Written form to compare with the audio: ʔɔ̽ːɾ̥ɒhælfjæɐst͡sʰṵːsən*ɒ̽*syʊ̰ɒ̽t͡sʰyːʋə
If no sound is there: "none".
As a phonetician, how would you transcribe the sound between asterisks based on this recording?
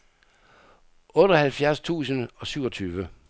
ɒ̽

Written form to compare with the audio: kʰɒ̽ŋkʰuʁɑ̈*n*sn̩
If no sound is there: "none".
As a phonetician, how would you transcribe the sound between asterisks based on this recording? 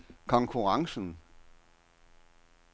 ŋ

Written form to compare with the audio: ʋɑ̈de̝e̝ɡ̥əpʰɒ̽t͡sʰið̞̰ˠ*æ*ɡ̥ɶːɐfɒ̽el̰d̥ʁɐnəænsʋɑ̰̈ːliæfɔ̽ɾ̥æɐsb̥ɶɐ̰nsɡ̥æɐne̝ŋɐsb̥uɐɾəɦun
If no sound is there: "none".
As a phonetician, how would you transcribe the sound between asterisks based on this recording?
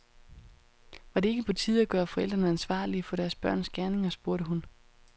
æ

